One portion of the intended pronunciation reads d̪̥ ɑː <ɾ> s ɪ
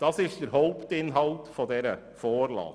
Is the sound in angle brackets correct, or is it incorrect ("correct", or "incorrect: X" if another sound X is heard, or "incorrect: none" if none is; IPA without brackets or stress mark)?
incorrect: none